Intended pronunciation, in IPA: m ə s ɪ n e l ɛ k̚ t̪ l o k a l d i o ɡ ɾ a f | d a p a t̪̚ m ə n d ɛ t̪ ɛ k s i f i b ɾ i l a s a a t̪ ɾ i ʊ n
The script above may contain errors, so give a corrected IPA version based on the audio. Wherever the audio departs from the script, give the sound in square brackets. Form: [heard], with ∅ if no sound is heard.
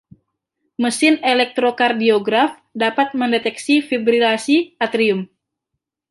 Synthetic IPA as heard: m ə s ɪ n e l ɛ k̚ t̪ [ɾ] o k a [r] d i o ɡ ɾ a f | d a p a t̪̚ m ə n d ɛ t̪ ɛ k s i f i b ɾ i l a s [i] a t̪ ɾ i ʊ [m]